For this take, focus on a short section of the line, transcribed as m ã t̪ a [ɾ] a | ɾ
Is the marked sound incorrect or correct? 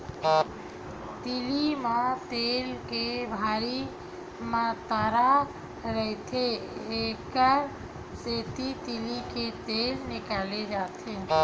correct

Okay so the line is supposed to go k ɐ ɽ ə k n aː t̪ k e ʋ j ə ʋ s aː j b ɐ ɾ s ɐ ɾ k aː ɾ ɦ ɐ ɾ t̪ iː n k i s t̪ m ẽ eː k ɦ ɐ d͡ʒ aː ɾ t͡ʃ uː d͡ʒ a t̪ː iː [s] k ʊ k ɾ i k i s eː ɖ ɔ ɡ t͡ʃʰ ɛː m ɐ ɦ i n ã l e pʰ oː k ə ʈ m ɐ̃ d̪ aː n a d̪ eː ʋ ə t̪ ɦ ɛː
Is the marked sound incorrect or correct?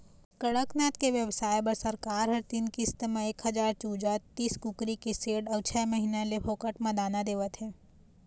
correct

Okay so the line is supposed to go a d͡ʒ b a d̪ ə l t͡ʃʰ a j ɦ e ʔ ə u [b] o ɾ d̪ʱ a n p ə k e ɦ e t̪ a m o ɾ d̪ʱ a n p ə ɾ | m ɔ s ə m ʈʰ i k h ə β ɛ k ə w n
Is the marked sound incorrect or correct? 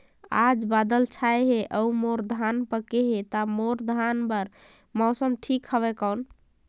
incorrect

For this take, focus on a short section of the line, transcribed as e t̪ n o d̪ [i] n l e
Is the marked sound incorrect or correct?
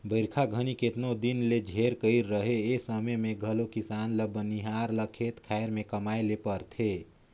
correct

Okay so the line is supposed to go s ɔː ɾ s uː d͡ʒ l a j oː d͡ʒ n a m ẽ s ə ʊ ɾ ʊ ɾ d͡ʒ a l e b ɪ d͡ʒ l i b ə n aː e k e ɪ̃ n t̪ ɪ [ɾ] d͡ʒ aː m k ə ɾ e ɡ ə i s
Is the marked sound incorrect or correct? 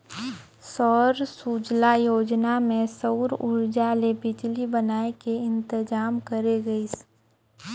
incorrect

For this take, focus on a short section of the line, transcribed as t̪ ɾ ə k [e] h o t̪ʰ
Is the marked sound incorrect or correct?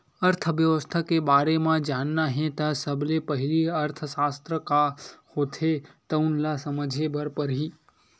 incorrect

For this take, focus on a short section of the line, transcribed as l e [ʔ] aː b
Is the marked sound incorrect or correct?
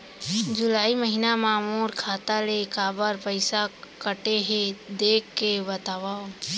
incorrect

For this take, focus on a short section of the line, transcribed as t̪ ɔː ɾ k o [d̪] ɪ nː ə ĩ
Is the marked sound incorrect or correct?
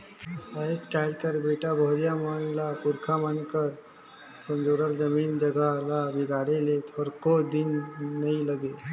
correct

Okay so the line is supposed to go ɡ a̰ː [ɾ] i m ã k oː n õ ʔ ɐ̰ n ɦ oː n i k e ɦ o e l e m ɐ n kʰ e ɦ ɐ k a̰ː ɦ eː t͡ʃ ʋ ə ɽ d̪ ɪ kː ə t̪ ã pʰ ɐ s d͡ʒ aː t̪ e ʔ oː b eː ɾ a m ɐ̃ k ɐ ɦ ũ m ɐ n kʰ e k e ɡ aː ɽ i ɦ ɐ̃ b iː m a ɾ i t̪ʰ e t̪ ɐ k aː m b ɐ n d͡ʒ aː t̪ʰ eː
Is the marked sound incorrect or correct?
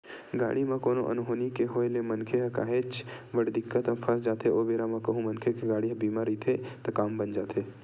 incorrect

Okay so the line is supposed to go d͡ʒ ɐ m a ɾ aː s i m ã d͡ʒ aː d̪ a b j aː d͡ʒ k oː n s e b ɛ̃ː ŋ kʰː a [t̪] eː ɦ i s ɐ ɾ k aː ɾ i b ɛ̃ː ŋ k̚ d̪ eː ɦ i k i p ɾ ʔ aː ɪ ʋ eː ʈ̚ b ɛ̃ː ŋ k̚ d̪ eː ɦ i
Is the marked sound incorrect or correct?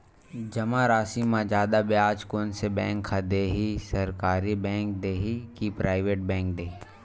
incorrect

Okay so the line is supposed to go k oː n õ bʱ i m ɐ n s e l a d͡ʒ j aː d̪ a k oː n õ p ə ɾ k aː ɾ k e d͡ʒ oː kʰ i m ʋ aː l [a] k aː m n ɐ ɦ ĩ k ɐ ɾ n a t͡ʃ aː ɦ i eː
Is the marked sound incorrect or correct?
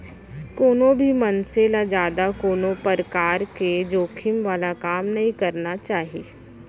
correct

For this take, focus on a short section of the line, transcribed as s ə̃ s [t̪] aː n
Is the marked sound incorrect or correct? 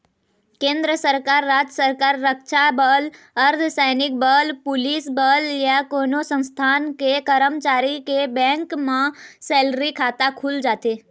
incorrect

